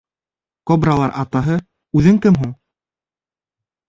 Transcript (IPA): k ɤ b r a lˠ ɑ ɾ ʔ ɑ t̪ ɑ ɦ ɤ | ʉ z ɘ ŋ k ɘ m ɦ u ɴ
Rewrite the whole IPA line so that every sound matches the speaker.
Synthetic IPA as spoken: k o b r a lˠ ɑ ɾ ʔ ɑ t̪ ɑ ɦ ɤ | ʉ ð ɘ ŋ k ɘ m ɦ u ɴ